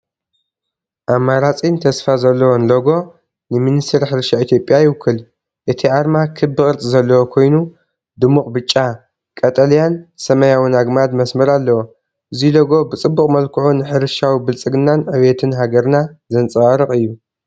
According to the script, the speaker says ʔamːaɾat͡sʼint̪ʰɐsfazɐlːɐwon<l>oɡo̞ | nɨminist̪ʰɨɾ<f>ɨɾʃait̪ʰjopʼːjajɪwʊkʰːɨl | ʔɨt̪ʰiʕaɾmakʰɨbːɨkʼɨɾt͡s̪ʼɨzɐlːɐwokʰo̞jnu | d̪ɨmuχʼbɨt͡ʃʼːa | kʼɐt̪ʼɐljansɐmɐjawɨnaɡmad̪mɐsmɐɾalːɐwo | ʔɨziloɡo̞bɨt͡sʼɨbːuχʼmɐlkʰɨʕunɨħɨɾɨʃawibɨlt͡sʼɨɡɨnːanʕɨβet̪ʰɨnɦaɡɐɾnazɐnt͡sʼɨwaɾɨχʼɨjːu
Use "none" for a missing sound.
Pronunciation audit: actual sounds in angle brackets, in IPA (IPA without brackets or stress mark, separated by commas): l, ħ